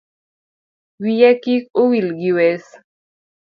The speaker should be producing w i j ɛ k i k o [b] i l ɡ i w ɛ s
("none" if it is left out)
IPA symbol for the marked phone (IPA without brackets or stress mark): w